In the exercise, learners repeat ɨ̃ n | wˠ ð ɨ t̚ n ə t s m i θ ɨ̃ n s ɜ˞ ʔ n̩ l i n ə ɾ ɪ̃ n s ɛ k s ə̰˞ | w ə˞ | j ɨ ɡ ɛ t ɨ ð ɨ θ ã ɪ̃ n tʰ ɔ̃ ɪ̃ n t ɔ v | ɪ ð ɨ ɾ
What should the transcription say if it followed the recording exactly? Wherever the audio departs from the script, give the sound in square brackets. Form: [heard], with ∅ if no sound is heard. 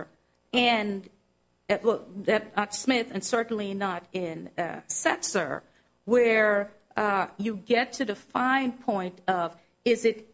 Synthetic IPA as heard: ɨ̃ n | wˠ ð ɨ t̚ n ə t s m [ɪ] θ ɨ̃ n s ɜ˞ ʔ n̩ l i n ə ɾ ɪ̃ n s ɛ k s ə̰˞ | w ə˞ | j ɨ ɡ ɛ [tʰ] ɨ ð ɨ [f] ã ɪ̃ n [pʰ] ɔ̃ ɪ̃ n t [ʌ] v | ɪ [z] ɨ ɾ